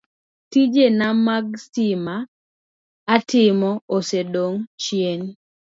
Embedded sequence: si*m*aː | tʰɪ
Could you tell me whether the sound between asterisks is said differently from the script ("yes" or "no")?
no